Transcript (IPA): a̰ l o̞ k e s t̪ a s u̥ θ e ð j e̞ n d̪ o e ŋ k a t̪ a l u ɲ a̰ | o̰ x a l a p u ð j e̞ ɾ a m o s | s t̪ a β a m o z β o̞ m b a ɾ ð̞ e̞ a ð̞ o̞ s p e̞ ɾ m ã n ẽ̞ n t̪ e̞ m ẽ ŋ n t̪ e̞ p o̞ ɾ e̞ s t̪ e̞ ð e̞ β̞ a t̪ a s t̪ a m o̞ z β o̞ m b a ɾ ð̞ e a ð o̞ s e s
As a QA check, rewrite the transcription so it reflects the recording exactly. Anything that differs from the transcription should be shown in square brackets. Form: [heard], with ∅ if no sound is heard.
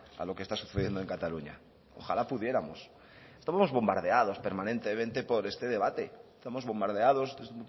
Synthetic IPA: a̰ l o̞ k e s t̪ a s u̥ θ e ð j e̞ n d̪ o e ŋ k a t̪ a l u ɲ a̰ | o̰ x a l a p u ð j e̞ ɾ a m o s | s t̪ a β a m o z β o̞ m b a ɾ ð̞ e̞ a ð̞ o̞ s p e̞ ɾ m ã n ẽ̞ n t̪ e̞ m ẽ [∅] n t̪ e̞ p o̞ ɾ e̞ s t̪ e̞ ð e̞ β̞ a t̪ [e] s t̪ a m o̞ z β o̞ m b a ɾ ð̞ e a ð o̞ s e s